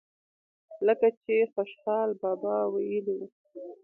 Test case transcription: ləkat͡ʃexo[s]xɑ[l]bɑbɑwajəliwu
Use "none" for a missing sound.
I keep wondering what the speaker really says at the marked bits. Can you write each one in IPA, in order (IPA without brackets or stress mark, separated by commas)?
ʃ, l